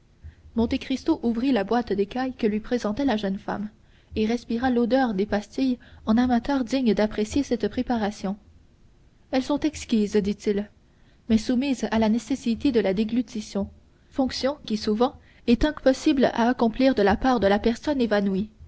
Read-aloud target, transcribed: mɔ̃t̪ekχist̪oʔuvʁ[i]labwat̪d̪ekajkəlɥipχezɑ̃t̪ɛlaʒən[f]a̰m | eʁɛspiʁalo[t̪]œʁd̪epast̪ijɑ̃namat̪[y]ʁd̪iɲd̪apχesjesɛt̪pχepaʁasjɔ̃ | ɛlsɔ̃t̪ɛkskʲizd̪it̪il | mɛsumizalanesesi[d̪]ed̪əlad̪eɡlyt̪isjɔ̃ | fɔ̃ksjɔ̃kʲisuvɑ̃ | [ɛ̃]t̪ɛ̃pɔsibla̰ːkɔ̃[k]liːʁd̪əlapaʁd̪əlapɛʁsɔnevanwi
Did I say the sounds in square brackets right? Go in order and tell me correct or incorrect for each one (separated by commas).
correct, correct, incorrect, incorrect, incorrect, incorrect, incorrect